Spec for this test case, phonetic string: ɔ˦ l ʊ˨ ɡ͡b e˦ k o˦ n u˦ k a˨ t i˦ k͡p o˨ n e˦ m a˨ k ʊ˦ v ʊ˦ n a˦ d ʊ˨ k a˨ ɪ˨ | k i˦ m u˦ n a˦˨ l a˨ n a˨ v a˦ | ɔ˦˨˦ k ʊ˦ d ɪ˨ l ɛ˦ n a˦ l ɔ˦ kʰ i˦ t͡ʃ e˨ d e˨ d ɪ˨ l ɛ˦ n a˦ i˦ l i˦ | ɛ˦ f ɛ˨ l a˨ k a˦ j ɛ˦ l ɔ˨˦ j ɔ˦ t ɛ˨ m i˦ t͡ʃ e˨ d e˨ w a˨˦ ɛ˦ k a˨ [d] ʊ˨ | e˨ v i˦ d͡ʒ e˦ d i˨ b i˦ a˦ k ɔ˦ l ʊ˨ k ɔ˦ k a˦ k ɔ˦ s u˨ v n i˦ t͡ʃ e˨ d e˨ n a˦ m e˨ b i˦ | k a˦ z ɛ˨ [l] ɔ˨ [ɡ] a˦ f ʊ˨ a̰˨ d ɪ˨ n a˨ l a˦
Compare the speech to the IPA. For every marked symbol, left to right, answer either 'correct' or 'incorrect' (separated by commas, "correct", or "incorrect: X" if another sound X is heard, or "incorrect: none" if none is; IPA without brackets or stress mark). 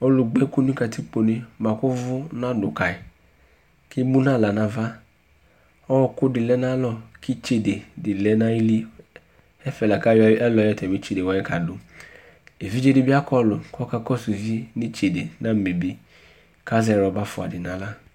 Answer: correct, incorrect: ɾ, incorrect: b